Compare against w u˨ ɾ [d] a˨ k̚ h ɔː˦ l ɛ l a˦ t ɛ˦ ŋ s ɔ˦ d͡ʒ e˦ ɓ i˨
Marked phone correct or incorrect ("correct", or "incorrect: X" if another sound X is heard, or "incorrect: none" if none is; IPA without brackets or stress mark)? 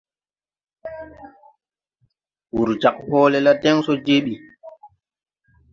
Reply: incorrect: d͡ʒ